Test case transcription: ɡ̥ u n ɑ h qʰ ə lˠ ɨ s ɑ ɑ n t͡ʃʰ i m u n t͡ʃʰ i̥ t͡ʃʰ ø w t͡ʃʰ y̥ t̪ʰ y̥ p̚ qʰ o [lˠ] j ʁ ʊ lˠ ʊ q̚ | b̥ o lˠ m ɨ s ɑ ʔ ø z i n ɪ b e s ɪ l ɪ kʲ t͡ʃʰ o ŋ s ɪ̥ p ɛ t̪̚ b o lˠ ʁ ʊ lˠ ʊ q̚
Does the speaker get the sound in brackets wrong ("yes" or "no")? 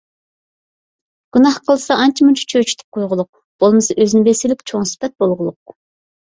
yes